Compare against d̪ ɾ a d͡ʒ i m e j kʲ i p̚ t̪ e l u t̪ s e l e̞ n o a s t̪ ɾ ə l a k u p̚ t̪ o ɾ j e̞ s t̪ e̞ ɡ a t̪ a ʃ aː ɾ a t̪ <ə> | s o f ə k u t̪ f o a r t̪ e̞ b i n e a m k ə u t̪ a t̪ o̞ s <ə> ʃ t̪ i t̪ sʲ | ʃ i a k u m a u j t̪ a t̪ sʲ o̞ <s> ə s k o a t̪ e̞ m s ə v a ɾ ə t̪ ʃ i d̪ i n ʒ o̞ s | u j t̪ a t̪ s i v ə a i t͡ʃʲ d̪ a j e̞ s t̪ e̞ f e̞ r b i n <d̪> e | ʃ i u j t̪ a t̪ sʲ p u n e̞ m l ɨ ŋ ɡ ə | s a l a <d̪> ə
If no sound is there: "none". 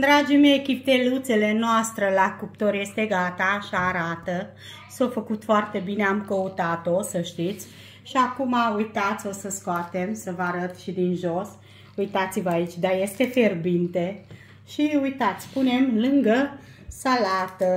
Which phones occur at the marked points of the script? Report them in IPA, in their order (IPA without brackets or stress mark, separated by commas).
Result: ə, ə, s, t̪, t̪